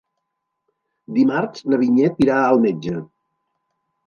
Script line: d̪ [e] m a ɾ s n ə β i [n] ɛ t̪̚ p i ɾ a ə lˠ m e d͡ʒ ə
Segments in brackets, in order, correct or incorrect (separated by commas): incorrect, incorrect